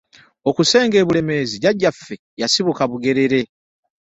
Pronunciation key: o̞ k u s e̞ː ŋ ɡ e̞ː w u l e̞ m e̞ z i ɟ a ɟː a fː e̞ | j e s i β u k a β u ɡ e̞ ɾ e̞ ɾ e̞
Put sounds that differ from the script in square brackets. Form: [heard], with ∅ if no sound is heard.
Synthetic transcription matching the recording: o̞ k u s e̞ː ŋ ɡ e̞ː [β] u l e̞ m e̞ z i ɟ a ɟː a fː e̞ | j [a] s i β u k a β u ɡ e̞ ɾ e̞ ɾ e̞